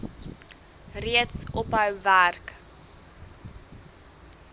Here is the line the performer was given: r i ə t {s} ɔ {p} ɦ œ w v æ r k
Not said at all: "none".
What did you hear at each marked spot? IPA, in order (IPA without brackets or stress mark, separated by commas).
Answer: s, p